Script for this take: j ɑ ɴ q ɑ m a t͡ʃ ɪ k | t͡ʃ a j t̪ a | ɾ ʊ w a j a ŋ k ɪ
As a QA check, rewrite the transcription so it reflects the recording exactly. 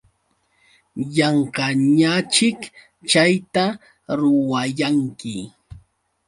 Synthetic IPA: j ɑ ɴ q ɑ ɲ a t͡ʃ ɪ k | t͡ʃ a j t̪ a | ɾ ʊ w a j a ŋ k ɪ